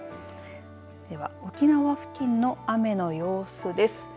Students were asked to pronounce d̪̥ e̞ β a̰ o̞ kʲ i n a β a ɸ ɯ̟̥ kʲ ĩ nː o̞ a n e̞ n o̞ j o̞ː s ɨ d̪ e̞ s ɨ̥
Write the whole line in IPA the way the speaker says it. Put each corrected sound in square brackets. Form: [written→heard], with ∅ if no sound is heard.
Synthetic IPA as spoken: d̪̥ e̞ β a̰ o̞ kʲ i n a β a ɸ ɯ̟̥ kʲ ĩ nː o̞ a [n→m] e̞ n o̞ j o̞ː s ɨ d̪ e̞ s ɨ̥